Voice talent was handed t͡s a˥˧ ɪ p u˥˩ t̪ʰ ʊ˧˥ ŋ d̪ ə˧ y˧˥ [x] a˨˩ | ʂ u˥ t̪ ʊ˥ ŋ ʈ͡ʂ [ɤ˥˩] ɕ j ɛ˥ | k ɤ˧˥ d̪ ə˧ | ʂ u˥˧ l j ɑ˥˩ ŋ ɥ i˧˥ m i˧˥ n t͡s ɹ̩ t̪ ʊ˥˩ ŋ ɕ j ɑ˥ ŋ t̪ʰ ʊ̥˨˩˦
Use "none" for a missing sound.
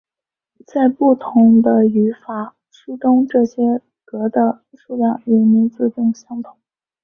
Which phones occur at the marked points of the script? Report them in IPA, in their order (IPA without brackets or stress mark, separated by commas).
f, ɤ˥˩